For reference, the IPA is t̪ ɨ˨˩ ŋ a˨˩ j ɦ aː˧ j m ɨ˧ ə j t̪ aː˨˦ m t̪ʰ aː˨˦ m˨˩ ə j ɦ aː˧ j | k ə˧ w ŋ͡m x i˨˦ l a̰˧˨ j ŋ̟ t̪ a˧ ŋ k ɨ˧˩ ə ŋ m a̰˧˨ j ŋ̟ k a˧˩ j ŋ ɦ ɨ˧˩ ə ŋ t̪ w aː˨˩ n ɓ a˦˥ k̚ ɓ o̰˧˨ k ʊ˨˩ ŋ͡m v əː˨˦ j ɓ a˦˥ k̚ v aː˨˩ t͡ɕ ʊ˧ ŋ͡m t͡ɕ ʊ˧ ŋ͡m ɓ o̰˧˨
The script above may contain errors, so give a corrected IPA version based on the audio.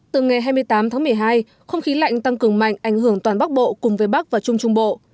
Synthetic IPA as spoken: t̪ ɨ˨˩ ŋ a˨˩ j ɦ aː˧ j m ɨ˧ ə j t̪ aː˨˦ m t̪ʰ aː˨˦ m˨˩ ə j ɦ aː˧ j | x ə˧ w ŋ͡m x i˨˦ l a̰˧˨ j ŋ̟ t̪ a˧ ŋ k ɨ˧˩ ə ŋ m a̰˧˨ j ŋ̟ ʔ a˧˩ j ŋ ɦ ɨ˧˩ ə ŋ t̪ w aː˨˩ n ɓ a˦˥ k̚ ɓ o̰˧˨ k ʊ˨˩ ŋ͡m v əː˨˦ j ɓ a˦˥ k̚ v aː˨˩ t͡ɕ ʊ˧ ŋ͡m t͡ɕ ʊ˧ ŋ͡m ɓ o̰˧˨